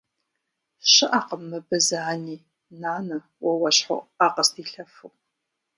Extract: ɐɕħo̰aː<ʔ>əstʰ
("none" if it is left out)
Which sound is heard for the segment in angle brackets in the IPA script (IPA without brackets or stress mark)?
q